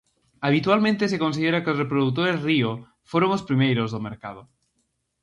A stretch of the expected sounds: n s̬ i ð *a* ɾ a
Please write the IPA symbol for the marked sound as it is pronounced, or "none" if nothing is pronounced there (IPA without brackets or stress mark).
e